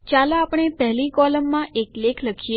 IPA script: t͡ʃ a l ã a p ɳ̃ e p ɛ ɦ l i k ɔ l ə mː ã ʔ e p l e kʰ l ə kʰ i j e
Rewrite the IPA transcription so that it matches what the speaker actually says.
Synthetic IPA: t͡ʃ a l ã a p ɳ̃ e p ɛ ɦ l i k ɔ l ə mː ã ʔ e k l e kʰ l ə kʰ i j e